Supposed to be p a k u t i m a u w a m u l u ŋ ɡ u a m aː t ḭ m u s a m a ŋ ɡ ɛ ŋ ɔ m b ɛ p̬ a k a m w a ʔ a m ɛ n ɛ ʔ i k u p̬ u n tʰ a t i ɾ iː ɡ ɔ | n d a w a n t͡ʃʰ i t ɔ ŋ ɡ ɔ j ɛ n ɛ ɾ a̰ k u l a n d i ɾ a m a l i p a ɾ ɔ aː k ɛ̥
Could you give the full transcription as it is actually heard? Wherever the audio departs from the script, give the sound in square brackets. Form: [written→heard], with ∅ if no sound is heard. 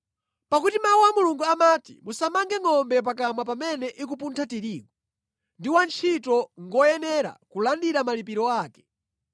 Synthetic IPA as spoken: p a k u t i m a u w a m u l u ŋ ɡ u a m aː t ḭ m u s a m a ŋ ɡ ɛ ŋ ɔ m b ɛ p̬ a k a m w a [ʔ→p] a m ɛ n ɛ ʔ i k u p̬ u n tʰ a t i ɾ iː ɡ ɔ | n d [a→i] w a n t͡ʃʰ i t ɔ ŋ ɡ ɔ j ɛ n ɛ ɾ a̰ k u l a n d i ɾ a m a l i p [a→i] ɾ ɔ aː k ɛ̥